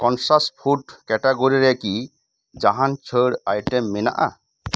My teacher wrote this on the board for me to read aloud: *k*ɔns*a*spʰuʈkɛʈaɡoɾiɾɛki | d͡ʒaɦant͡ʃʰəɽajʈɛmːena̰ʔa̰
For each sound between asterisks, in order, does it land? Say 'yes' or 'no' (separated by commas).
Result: yes, yes